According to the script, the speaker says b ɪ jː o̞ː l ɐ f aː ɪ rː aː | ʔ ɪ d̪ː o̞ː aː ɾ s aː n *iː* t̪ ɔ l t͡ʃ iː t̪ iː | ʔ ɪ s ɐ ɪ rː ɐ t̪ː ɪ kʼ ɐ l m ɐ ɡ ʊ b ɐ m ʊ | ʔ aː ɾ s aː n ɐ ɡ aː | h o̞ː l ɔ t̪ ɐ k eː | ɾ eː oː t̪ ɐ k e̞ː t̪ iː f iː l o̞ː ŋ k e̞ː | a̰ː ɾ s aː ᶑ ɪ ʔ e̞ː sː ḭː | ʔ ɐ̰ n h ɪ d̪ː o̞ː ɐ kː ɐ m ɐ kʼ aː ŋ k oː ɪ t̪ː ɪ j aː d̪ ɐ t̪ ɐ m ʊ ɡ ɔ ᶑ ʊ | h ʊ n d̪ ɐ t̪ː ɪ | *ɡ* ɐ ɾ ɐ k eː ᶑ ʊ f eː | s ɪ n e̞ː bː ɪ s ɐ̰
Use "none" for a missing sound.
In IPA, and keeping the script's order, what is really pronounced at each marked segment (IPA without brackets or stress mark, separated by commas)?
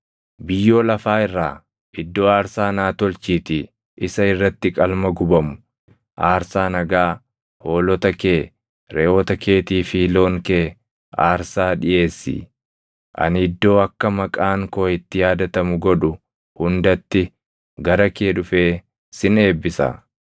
aː, ɡ